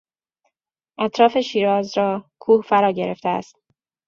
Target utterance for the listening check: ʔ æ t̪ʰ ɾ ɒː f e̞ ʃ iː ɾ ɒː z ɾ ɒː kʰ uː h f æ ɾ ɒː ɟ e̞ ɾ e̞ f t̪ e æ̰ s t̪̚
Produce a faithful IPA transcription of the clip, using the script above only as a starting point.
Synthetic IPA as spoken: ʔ æ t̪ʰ ɾ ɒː f e̞ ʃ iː ɾ ɒː z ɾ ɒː kʰ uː h f æ ɾ ɒː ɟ e̞ ɾ e̞ f t̪ e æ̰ s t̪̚